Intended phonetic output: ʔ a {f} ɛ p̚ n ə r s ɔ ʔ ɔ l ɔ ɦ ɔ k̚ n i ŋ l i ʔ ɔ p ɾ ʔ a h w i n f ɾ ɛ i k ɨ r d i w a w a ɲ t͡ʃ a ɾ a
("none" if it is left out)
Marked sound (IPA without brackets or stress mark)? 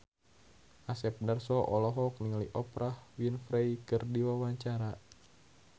s